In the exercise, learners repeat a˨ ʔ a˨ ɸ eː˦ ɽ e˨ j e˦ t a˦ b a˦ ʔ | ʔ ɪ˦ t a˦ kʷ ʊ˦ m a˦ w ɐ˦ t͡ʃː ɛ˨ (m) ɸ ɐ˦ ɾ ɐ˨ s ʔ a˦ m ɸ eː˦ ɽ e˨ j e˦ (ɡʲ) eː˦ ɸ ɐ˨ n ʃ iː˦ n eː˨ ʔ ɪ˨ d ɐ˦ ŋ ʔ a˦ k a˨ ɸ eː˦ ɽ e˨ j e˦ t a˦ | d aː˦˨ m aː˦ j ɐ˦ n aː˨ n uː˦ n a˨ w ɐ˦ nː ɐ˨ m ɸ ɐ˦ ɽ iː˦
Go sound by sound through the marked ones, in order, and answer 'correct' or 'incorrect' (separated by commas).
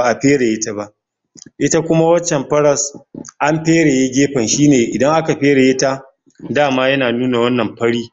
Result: correct, correct